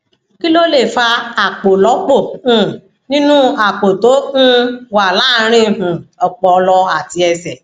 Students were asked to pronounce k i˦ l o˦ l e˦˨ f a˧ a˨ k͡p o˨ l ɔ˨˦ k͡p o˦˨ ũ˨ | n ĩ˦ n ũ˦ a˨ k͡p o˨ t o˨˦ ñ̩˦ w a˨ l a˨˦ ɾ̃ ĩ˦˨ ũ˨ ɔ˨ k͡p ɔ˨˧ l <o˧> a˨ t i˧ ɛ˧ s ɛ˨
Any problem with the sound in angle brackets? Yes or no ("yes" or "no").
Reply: yes